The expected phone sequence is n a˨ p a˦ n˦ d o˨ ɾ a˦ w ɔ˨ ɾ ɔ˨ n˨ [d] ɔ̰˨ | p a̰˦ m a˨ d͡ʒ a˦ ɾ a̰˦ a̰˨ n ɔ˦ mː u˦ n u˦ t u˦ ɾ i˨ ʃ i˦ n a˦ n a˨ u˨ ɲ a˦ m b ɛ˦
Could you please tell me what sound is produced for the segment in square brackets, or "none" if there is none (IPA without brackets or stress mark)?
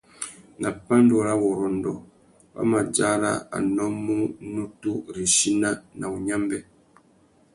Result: d